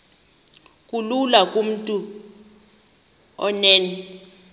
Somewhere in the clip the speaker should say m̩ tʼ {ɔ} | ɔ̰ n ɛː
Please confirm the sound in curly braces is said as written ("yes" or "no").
no